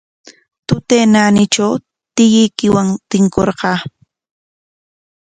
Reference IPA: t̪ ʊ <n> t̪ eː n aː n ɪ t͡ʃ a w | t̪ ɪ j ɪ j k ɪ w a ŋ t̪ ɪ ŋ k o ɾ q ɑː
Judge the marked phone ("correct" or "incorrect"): incorrect